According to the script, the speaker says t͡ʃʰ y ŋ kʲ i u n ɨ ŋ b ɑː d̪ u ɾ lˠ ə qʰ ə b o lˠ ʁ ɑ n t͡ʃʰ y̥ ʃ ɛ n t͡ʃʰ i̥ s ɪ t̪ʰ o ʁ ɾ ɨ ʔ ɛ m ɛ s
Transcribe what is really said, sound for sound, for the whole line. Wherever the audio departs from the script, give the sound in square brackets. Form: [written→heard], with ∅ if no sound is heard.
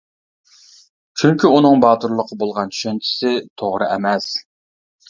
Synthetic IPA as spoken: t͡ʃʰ y ŋ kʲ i u n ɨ ŋ b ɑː [d̪→t̪] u ɾ lˠ ə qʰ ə b o lˠ ʁ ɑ n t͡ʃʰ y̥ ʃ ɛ n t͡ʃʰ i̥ s ɪ t̪ʰ o ʁ ɾ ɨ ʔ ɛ m ɛ s